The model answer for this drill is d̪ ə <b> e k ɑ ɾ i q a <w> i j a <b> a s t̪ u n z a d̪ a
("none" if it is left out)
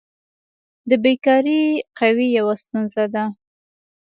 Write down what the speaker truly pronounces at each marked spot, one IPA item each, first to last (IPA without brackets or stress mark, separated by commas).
b, w, w